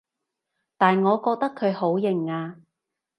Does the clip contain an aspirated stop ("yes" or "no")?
yes